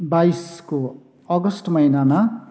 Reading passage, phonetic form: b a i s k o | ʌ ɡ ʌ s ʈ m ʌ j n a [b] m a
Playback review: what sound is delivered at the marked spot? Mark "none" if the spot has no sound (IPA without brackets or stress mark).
none